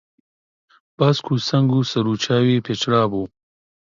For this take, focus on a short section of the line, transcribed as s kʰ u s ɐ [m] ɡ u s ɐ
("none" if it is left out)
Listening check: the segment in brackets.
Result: ŋ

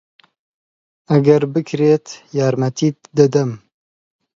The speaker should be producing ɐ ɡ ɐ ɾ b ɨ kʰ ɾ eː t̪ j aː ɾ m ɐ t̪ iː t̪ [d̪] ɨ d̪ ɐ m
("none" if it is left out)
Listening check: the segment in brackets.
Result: d̪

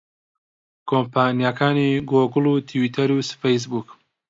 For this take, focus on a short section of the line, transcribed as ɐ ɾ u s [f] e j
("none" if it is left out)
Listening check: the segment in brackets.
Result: f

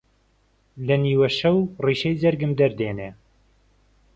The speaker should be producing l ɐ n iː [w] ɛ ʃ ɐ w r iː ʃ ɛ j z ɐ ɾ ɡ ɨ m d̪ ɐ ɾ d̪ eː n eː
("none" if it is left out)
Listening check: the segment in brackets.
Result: w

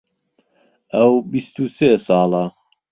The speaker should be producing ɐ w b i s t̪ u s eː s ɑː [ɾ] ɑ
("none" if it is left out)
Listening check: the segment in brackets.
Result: l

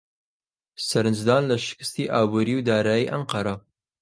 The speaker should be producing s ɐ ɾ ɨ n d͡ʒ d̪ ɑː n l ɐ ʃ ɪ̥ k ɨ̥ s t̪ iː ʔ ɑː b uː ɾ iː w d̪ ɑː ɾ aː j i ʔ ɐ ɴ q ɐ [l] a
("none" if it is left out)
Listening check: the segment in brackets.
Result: ɾ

